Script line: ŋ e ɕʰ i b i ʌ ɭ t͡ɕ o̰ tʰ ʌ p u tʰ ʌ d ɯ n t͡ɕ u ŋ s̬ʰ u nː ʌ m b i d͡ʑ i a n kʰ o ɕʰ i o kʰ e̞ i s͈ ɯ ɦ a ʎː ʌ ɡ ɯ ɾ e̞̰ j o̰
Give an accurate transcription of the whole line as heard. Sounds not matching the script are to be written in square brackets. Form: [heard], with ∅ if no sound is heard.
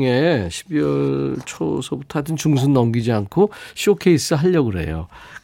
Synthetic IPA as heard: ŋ e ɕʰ i b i ʌ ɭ [t͡ɕʰ] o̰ [sʰ] ʌ [b] u tʰ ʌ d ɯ n t͡ɕ u ŋ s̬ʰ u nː ʌ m [ɡ] i d͡ʑ i a n kʰ o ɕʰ i o kʰ e̞ i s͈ ɯ ɦ a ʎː ʌ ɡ ɯ ɾ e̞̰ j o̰